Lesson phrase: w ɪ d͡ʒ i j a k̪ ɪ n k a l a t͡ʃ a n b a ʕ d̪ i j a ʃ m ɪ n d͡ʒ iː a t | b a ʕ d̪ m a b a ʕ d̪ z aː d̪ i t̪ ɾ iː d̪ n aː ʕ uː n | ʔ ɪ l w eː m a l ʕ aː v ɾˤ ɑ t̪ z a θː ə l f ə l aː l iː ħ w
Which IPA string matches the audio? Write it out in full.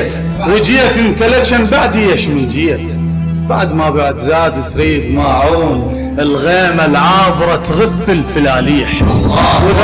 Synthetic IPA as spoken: w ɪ d͡ʒ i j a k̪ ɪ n k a l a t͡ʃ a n b a ʕ d̪ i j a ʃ m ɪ n d͡ʒ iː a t | b a ʕ d̪ m a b a ʕ d̪ z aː d̪ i t̪ ɾ iː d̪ m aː ʕ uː n | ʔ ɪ l ɣ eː m a l ʕ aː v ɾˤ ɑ t̪ ɣ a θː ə l f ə l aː l iː ħ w

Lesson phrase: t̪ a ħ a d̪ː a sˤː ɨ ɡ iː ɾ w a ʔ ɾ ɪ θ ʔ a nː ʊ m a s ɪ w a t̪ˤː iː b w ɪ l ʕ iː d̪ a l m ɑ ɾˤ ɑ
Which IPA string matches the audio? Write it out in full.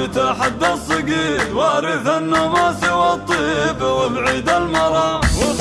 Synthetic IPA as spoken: t̪ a ħ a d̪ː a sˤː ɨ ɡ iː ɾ w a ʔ ɾ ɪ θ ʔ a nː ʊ m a s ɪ w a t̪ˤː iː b w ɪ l ʕ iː d̪ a l m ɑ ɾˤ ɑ

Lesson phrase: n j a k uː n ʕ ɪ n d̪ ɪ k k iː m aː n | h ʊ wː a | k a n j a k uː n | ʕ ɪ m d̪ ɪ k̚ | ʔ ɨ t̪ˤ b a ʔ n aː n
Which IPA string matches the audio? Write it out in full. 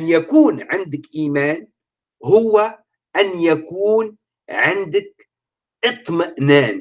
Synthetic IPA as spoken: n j a k uː n ʕ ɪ n d̪ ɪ k ʔ iː m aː n | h ʊ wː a | ʔ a n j a k uː n | ʕ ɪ n d̪ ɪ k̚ | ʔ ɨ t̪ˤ m a ʔ n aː n

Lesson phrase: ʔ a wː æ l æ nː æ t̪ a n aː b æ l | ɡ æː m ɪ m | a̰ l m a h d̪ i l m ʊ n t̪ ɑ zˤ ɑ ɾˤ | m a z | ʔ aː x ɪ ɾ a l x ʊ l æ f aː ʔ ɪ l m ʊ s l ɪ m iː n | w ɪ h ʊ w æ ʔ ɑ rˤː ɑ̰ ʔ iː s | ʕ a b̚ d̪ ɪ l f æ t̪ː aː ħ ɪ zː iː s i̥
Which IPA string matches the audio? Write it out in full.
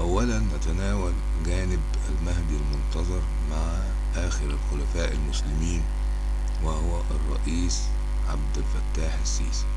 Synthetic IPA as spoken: ʔ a wː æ l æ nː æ t̪ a n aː w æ l | ɡ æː n ɪ b | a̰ l m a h d̪ i l m ʊ n t̪ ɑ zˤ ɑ ɾˤ | m a ʕ | ʔ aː x ɪ ɾ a l x ʊ l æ f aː ʔ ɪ l m ʊ s l ɪ m iː n | w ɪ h ʊ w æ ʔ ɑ rˤː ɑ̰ ʔ iː s | ʕ a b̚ d̪ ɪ l f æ t̪ː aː ħ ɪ sː iː s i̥

